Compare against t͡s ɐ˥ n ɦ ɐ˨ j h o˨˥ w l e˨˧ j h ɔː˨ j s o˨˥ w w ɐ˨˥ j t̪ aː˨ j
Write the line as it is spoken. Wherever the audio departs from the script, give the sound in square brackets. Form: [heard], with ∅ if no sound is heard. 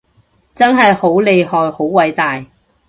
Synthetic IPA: t͡s ɐ˥ n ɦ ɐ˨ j h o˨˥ w l e˨˧ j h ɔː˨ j [h] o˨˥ w w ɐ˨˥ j t̪ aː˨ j